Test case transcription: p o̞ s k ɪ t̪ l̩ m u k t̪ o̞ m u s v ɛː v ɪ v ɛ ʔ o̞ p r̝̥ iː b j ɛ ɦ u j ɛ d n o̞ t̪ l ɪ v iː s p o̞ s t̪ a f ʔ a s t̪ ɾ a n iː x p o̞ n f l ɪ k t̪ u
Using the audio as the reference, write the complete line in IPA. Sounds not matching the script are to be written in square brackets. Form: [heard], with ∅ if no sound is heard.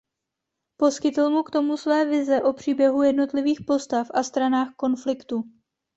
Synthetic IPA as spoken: p o̞ s k ɪ t̪ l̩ m u k t̪ o̞ m u s v ɛː v ɪ [z] ɛ ʔ o̞ p r̝̥ iː b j ɛ ɦ u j ɛ d n o̞ t̪ l ɪ v iː [x] p o̞ s t̪ a f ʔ a s t̪ ɾ a n [aː] x [k] o̞ n f l ɪ k t̪ u